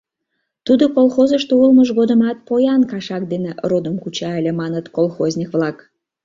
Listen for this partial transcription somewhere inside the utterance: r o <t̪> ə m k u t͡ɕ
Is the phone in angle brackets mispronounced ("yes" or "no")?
yes